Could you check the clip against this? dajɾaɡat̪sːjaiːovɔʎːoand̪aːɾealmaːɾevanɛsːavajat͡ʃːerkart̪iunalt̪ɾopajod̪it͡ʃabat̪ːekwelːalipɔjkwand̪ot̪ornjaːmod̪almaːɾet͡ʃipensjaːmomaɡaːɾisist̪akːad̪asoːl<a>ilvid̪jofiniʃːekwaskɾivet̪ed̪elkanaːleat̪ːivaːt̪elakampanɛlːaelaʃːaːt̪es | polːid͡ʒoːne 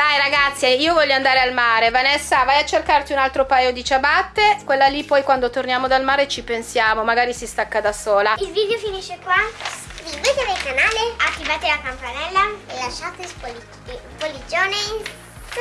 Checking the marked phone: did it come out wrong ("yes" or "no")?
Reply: no